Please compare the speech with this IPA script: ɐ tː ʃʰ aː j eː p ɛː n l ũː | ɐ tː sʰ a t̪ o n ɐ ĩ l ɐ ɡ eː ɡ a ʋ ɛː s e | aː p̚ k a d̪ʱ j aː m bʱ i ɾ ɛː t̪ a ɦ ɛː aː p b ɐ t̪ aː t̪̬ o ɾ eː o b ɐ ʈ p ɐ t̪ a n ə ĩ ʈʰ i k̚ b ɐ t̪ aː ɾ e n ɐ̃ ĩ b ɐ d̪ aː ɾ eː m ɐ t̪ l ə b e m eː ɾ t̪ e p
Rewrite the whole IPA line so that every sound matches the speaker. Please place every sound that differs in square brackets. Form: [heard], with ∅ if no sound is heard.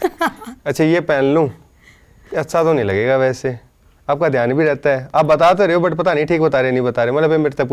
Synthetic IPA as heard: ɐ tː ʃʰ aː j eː p ɛː n l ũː | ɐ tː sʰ a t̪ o n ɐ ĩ l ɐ ɡ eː ɡ a ʋ ɛː s e | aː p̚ k a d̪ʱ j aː [n] bʱ i ɾ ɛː t̪ a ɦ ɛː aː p b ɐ t̪ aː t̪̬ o ɾ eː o b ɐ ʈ p ɐ t̪ a n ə ĩ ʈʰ [iː] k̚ b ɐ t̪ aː ɾ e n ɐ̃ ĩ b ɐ [t̪] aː ɾ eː m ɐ t̪ l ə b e m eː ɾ t̪ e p